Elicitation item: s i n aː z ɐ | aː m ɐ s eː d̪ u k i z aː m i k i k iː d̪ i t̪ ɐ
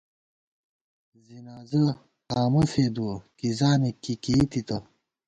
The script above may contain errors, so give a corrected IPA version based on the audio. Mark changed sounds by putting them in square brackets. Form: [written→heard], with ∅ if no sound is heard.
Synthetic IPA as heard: [s→z] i n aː z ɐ | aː m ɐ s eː d̪ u k i z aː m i k i k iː [d̪→t̪] i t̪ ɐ